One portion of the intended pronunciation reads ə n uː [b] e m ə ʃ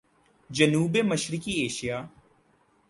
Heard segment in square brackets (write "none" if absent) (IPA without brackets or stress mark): b